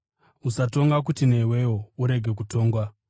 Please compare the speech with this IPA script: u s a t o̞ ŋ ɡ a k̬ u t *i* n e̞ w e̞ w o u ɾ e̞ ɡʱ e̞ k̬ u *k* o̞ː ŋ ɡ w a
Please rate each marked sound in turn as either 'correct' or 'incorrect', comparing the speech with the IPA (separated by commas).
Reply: correct, incorrect